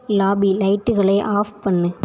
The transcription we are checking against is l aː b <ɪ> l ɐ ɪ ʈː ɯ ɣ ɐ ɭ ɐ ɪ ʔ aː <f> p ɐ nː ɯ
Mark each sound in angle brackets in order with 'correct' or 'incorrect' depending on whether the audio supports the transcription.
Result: incorrect: i, correct

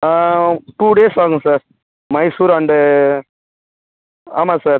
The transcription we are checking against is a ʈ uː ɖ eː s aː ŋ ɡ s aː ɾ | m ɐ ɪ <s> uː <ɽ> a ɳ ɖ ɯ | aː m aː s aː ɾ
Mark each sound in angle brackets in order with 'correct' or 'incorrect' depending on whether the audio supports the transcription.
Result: correct, incorrect: ɾ

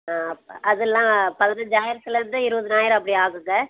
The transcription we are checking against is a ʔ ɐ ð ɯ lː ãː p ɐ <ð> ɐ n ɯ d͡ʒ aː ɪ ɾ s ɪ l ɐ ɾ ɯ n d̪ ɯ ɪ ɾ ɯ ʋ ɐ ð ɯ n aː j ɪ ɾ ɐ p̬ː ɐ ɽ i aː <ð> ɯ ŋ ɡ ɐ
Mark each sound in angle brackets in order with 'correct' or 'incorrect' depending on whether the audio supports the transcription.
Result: correct, incorrect: ɣ

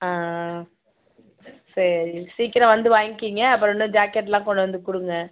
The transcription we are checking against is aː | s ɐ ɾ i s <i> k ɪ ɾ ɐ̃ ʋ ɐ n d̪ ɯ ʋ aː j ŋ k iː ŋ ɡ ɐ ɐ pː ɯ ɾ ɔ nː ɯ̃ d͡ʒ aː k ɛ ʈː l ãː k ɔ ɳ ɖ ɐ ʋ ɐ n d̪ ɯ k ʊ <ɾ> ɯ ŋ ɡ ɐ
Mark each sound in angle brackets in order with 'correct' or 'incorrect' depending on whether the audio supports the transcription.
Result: incorrect: iː, incorrect: ɽ

